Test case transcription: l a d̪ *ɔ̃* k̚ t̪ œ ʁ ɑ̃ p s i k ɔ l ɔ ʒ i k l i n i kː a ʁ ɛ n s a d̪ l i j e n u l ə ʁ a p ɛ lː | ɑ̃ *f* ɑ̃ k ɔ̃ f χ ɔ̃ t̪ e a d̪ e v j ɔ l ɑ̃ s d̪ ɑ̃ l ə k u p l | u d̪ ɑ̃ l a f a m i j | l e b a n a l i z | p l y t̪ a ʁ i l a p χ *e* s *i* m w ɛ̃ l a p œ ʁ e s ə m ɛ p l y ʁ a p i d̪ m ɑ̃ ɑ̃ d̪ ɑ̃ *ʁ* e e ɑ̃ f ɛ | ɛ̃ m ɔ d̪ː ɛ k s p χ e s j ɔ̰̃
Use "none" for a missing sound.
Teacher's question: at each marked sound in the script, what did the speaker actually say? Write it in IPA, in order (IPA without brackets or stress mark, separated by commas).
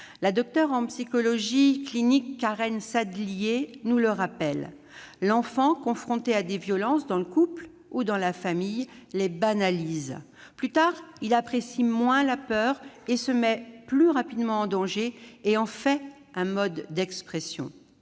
ɔ, f, e, i, ʒ